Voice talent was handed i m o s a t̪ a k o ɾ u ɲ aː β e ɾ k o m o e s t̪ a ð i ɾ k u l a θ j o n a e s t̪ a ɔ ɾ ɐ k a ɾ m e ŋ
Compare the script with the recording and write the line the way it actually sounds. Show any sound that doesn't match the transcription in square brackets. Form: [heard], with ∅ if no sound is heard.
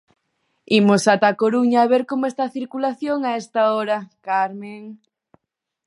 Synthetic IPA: i m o s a t̪ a k o ɾ u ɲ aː β e ɾ k o m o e s t̪ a [θ] i ɾ k u l a θ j o [ŋ] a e s t̪ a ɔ ɾ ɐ k a ɾ m e ŋ